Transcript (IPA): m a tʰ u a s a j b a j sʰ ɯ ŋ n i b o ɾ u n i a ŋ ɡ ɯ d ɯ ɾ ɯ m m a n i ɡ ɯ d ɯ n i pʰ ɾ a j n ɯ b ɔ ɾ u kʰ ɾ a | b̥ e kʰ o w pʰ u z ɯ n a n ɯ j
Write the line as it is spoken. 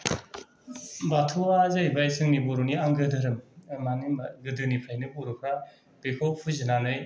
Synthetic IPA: b a tʰ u a z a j b a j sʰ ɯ ŋ n i b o ɾ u n i a ŋ ɡ ɯ d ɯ ɾ ɯ m m a n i ɡ ɯ d ɯ n i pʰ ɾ a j n ɯ b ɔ ɾ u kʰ ɾ a | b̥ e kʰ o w pʰ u z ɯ n a n ɯ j